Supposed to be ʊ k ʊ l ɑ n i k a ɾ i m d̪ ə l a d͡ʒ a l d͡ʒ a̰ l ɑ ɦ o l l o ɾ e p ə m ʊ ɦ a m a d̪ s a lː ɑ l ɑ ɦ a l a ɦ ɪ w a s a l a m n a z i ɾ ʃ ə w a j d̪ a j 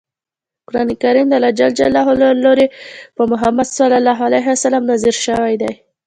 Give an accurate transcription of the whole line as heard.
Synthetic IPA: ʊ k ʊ ɾ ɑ n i k a ɾ i m d̪ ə l a d͡ʒ a l d͡ʒ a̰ l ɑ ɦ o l l o ɾ e p ə m ʊ ɦ a m a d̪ s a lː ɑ l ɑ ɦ a l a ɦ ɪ w a s a l a m n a z i ɾ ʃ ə w a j d̪ a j

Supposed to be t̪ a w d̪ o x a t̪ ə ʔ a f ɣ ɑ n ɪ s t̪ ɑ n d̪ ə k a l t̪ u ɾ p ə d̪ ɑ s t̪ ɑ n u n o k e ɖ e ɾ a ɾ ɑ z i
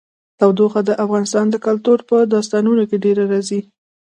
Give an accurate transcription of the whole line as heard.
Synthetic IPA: t̪ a w d̪ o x a d̪ ə ʔ a f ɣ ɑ n ɪ s t̪ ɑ n d̪ ə k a l t̪ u ɾ p ə d̪ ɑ s t̪ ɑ n u n o k e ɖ e ɾ a ɾ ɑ z i

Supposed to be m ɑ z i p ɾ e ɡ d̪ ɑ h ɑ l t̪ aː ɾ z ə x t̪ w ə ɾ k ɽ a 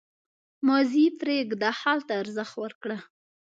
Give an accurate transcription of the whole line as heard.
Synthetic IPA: m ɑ z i p ɾ e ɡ d̪ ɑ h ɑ l t̪ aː ɾ z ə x t̪ w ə ɾ k ɽ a

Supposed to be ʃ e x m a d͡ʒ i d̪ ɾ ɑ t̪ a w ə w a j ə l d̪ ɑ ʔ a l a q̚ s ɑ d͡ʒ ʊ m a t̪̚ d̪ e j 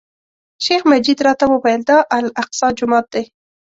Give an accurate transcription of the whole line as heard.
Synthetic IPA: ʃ e x m a d͡ʒ i d̪ ɾ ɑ t̪ a w ə w a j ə l d̪ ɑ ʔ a l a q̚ s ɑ d͡ʒ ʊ m ɑ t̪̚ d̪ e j

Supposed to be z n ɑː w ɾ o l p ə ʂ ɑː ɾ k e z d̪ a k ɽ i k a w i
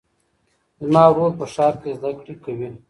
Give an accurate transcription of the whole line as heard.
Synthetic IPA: z m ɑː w ɾ o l p ə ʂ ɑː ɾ k e z d̪ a k ɽ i k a w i

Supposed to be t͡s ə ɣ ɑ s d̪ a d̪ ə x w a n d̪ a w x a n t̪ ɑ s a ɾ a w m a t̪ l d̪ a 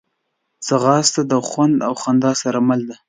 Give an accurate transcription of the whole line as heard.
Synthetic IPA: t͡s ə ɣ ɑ s t̪ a d̪ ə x w a n d̪ a w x a n d̪ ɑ s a ɾ a m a l d̪ a

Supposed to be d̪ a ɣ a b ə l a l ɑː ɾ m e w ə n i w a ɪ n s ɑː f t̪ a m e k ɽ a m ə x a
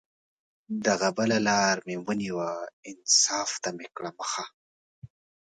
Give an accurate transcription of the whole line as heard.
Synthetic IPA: d̪ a ɣ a b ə l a l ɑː ɾ m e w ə n i w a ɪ n s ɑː f t̪ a m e k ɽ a m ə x a

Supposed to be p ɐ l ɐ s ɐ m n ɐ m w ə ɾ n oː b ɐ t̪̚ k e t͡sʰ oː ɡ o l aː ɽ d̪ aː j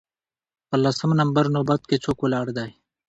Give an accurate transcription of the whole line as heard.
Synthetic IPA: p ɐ l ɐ s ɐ m n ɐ m b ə ɾ n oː b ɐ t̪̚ k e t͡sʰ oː k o l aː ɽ d̪ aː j

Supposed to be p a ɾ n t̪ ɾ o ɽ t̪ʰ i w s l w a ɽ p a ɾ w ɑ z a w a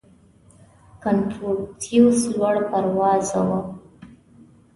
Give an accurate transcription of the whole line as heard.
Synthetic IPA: k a n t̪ ɾ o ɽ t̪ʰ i w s l w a ɽ p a ɾ w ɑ z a w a

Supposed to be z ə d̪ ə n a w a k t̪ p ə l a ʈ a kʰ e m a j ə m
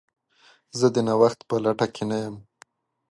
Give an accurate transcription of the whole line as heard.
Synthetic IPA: z ə d̪ ə n a w a x t̪ p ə l a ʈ a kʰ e n a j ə m

